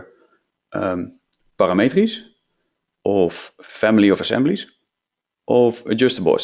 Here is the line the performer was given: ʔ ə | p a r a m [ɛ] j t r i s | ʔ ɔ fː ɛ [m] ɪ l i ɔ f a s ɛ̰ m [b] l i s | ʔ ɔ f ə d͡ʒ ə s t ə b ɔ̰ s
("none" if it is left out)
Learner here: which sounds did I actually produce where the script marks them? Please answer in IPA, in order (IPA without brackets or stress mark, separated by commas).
e, m, b